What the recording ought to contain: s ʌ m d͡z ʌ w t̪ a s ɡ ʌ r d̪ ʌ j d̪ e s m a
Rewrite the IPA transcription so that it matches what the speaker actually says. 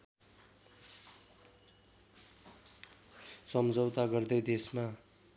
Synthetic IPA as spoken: s ʌ m d͡z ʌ w t̪ a ɡ ʌ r d̪ ʌ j d̪ e s m a